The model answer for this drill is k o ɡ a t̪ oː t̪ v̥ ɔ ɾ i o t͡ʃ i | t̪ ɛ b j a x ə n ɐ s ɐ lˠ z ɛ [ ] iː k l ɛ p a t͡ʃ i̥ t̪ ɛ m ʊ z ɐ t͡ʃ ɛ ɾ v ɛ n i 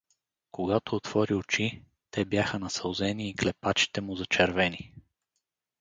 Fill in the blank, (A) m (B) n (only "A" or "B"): B